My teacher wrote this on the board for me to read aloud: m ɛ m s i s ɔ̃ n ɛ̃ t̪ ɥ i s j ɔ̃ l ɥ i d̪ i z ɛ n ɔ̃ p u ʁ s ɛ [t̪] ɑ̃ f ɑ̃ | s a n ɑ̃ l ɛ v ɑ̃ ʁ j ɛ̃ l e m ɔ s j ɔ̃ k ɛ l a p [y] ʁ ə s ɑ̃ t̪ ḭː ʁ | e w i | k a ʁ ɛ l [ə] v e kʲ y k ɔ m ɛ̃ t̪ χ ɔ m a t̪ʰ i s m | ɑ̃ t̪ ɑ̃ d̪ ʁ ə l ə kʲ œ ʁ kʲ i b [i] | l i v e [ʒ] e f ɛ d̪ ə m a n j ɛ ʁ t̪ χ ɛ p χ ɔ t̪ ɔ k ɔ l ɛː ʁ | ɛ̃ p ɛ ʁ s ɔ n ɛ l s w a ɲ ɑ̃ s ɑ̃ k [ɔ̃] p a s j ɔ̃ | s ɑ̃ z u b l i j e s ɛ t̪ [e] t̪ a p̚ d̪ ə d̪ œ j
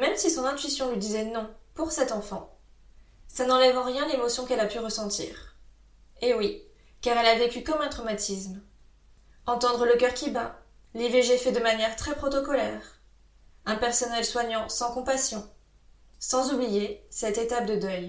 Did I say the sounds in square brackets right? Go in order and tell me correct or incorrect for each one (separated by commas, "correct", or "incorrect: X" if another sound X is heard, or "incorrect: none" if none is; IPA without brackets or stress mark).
correct, correct, incorrect: a, incorrect: a, correct, correct, correct